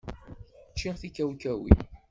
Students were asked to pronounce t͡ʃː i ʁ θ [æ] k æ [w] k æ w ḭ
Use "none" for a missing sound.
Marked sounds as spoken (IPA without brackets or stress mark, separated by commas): i, w